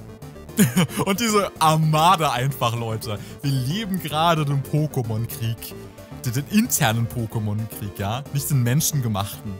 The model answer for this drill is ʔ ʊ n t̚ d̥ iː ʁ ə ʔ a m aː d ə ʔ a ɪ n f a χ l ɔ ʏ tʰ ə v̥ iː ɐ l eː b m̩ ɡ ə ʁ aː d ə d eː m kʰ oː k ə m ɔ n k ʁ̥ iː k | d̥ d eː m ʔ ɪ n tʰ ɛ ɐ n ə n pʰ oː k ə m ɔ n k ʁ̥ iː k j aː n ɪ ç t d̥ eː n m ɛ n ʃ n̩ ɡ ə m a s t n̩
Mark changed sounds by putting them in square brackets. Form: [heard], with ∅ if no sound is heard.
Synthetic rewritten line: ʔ ʊ n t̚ d̥ iː [z] ə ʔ a m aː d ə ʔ a ɪ n f a χ l ɔ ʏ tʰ ə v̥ iː ɐ l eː b m̩ ɡ ə ʁ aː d ə d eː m [pʰ] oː k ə m ɔ n k ʁ̥ iː k | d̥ d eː [n] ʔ ɪ n tʰ ɛ ɐ n ə n pʰ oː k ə m ɔ n k ʁ̥ iː k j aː n ɪ ç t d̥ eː n m ɛ n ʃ n̩ ɡ ə m a [χ] t n̩